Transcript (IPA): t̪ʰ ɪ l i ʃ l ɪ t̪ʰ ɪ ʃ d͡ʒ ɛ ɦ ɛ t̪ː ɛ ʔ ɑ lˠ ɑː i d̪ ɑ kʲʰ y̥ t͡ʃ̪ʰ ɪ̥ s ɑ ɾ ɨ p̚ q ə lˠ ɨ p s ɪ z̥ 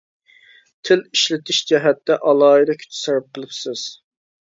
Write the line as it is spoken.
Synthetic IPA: t̪ʰ ɪ l i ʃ l ɪ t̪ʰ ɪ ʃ d͡ʒ ɛ ɦ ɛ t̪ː ɛ ʔ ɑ lˠ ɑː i d̪ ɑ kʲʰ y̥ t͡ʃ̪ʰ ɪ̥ s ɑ ɾ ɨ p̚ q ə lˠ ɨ p s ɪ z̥